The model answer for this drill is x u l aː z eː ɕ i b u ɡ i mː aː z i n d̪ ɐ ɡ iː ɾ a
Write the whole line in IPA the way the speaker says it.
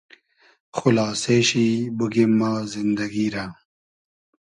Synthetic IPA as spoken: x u l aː s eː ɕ i b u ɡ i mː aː z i n d̪ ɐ ɡ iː ɾ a

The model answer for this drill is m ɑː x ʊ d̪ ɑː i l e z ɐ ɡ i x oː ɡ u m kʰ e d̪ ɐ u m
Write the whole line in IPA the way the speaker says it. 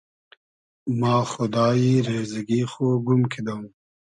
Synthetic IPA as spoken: m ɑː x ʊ d̪ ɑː i ɾ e z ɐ ɡ i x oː ɡ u m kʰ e d̪ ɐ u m

